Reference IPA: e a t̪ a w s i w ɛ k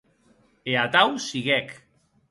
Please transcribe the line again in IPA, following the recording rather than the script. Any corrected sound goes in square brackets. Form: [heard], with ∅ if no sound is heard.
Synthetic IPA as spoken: e a t̪ a w s i [ɣ] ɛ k